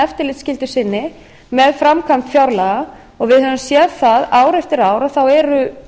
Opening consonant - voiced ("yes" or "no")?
no